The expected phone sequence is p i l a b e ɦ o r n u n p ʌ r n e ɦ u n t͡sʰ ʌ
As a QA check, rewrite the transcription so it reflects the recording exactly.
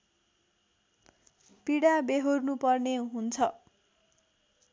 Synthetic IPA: p i ɽ a b e ɦ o r n u p ʌ r n e ɦ u n t͡sʰ ʌ